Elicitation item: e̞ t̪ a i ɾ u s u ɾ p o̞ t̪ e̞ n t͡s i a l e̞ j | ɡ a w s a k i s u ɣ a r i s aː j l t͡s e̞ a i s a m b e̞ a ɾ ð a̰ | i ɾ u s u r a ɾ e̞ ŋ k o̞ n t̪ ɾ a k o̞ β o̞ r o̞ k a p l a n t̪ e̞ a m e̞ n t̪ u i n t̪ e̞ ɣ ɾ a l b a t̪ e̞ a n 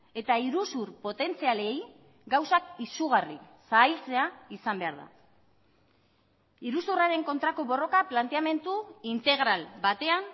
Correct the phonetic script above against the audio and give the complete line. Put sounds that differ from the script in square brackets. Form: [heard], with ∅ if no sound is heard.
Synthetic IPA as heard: e̞ t̪ a i ɾ u s u ɾ p o̞ t̪ e̞ n t͡s i a l e̞ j | ɡ a w s a k i s u ɣ a r i s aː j l t͡s e̞ a i s a m b e̞ a ɾ ð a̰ | i ɾ u s u r a ɾ e̞ ŋ k o̞ n t̪ ɾ a k o̞ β o̞ r o̞ k a p l a n t̪ e̞ a m e̞ n t̪ u i n t̪ e̞ ɣ ɾ a l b a t̪ e̞ a n